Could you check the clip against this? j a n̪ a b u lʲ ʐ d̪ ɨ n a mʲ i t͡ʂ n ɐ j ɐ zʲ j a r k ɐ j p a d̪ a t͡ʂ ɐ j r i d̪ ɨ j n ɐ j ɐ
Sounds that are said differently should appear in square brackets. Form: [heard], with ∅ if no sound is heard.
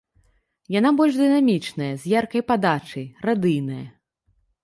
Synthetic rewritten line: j a n̪ a b [ɔ] lʲ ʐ d̪ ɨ n a mʲ i t͡ʂ n ɐ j ɐ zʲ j a r k ɐ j p a d̪ a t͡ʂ ɐ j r [a] d̪ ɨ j n ɐ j ɐ